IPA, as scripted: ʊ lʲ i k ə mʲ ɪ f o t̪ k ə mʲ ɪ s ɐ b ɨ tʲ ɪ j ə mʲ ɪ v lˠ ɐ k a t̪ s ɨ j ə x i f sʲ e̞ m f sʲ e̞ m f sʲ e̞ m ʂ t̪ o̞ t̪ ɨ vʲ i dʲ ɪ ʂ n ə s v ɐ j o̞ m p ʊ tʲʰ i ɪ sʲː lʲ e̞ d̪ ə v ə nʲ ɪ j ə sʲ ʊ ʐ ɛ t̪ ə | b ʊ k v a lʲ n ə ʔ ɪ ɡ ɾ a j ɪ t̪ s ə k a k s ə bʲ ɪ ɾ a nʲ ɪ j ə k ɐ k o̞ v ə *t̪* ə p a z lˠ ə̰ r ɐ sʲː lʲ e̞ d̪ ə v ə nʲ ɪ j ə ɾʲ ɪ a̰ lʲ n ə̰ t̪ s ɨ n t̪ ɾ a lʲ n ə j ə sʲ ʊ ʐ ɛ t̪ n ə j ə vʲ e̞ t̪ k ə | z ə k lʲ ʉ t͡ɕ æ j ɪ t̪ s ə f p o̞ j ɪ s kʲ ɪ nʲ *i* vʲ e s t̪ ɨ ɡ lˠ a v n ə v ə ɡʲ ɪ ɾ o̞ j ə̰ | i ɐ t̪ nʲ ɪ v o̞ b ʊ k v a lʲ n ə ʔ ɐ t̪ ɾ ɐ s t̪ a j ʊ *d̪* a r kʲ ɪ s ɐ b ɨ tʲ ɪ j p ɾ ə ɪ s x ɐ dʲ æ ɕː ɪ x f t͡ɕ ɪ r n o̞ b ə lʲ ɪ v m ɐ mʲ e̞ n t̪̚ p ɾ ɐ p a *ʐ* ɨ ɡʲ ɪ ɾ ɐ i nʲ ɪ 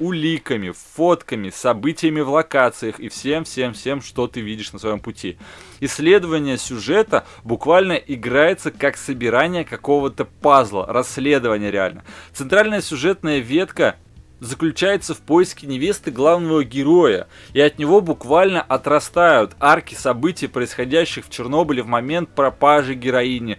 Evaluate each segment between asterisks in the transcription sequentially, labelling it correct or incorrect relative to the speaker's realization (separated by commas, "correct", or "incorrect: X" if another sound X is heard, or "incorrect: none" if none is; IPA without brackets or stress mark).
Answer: correct, incorrect: ɪ, incorrect: t̪, correct